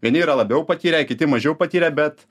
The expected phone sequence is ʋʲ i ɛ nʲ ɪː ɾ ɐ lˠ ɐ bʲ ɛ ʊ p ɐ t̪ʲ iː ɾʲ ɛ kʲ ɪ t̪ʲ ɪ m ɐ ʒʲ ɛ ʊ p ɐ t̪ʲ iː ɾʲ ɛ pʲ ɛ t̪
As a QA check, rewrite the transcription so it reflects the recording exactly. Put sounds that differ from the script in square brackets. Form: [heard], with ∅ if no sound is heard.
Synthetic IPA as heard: ʋʲ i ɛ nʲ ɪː ɾ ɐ lˠ ɐ bʲ ɛ ʊ p ɐ t̪ʲ iː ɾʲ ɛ kʲ ɪ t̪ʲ ɪ m ɐ ʒʲ ɛ ʊ p ɐ t̪ʲ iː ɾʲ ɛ [bʲ] ɛ t̪